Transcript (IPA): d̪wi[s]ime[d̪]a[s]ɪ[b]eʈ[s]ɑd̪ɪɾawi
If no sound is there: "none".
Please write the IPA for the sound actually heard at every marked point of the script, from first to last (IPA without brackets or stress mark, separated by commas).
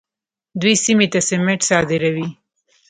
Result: s, t̪, s, m, s